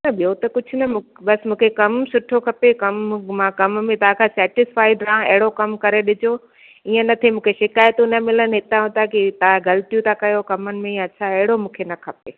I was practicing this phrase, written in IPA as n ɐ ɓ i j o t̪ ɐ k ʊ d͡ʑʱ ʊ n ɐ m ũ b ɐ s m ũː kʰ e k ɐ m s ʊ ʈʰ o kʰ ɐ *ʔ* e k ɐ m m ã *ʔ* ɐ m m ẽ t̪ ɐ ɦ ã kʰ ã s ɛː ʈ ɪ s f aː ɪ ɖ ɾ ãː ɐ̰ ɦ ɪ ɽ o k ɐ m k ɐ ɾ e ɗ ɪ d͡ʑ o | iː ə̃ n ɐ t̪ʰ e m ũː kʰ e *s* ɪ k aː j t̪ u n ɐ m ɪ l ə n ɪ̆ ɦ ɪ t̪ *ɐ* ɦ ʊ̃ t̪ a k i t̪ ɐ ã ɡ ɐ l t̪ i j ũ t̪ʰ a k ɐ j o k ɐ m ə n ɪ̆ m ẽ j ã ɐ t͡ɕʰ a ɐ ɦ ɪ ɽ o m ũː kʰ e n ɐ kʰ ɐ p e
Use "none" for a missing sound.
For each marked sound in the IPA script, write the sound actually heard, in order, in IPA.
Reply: p, k, ʃ, a

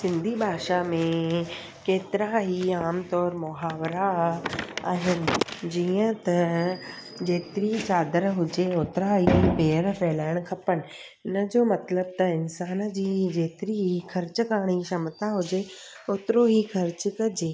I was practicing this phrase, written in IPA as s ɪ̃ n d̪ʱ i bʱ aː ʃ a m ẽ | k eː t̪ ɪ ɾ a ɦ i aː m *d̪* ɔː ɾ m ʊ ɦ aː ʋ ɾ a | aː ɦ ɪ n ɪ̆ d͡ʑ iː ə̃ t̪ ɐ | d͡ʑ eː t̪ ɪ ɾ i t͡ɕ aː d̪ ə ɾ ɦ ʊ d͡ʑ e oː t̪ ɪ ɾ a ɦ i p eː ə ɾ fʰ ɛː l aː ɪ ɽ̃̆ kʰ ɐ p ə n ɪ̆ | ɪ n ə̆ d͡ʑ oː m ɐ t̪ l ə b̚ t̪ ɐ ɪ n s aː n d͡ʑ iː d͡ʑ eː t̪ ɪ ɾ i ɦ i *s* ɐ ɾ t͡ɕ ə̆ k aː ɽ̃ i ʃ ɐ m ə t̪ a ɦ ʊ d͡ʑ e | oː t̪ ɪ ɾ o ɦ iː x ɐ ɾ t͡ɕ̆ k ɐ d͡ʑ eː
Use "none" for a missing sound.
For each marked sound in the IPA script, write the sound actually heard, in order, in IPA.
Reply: t̪, x

